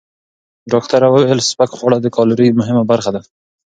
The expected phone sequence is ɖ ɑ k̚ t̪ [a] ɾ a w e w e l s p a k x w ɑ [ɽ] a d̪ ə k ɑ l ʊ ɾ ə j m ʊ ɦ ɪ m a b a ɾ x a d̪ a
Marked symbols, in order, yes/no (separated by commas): yes, yes